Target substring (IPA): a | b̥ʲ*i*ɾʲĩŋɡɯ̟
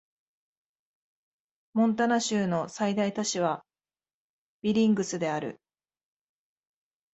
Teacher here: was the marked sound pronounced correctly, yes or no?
yes